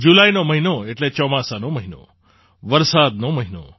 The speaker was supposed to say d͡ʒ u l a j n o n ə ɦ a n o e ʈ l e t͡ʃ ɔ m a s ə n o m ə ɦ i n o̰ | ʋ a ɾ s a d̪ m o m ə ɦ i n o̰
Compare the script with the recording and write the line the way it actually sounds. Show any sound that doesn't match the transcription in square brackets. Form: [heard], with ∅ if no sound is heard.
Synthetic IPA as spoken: d͡ʒ u l a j n o [m] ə ɦ [i] n o e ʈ l e t͡ʃ ɔ m a s [a] n o m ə ɦ i n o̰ | ʋ [ə] ɾ s a d̪ [n] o m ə ɦ i n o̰